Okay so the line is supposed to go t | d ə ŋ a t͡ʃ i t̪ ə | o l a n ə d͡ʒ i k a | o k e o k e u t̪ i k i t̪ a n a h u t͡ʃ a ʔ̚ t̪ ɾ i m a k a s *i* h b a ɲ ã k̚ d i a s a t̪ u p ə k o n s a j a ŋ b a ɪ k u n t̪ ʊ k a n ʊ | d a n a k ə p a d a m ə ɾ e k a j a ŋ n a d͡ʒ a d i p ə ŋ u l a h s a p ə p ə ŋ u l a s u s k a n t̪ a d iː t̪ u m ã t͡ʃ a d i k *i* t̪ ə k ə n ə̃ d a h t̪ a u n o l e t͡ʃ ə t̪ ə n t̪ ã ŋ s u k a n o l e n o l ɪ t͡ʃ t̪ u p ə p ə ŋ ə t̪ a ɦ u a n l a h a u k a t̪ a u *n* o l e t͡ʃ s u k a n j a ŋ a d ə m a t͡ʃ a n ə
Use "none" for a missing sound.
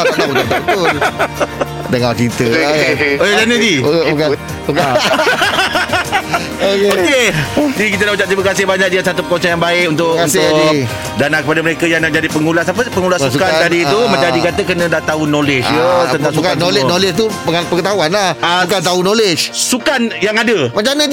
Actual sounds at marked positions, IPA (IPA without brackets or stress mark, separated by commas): ɪ, a, n